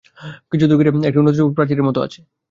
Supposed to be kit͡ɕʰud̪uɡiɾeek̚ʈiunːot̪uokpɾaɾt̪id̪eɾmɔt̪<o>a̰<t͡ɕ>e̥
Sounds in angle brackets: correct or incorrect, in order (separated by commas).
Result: correct, incorrect